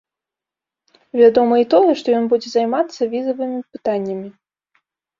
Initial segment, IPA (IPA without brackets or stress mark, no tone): vʲ